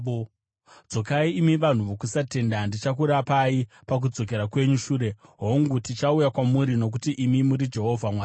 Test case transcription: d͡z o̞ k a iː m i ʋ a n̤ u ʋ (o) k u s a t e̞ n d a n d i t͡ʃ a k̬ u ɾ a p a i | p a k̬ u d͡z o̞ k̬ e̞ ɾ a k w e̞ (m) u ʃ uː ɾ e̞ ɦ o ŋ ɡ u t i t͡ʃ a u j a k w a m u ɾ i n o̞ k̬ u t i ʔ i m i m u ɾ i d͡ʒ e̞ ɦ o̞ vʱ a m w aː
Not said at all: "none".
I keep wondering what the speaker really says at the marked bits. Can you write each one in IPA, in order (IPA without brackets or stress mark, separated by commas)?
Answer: o, ɲ